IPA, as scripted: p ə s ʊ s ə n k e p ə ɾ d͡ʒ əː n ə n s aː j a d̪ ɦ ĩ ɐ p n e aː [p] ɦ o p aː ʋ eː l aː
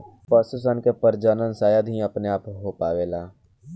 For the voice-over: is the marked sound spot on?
yes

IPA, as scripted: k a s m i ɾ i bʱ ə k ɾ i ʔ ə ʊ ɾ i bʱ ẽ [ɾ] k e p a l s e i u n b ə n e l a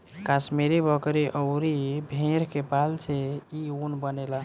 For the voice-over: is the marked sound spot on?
yes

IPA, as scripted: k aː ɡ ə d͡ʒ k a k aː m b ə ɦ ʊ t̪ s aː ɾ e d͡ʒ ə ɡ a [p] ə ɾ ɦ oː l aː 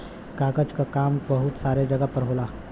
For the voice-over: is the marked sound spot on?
yes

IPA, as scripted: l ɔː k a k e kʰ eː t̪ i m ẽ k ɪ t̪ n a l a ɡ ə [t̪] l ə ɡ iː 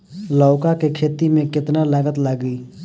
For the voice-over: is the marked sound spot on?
yes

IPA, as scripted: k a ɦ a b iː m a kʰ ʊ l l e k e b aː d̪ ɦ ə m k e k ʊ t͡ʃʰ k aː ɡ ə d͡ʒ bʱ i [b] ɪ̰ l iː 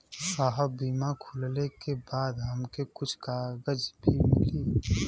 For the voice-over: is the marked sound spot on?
no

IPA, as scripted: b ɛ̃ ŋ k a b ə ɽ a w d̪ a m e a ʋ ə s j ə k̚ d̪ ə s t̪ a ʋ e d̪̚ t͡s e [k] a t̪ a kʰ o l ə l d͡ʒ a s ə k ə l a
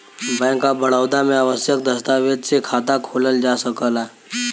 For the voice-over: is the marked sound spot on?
no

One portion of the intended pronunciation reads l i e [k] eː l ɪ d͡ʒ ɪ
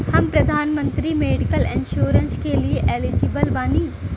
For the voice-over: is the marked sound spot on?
no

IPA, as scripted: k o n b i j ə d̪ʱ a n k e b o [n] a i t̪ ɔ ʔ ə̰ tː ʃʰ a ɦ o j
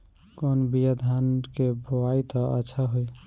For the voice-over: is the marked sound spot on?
no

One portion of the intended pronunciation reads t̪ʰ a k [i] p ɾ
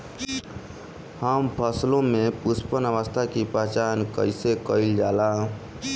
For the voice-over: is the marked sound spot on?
yes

